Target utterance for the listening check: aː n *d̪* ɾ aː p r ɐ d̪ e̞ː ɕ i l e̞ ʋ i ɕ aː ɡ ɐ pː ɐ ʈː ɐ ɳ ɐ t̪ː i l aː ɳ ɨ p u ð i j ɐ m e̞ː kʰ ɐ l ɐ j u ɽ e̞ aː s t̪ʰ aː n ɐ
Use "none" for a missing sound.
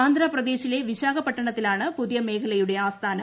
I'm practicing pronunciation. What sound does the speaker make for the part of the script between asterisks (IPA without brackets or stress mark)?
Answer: d̪